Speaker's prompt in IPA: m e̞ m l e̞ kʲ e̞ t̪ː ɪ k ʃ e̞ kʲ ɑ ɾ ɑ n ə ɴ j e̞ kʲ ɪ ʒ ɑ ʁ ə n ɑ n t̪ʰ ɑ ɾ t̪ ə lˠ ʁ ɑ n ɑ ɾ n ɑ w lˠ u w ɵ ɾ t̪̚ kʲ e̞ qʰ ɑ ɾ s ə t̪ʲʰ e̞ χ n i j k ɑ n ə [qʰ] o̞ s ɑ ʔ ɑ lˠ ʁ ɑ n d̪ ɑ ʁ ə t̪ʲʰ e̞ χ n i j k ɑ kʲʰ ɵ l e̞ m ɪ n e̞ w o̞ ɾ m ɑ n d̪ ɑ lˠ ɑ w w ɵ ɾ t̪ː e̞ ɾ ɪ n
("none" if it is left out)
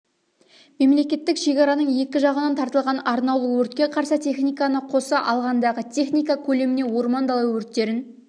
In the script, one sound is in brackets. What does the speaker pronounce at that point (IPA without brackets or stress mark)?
qʰ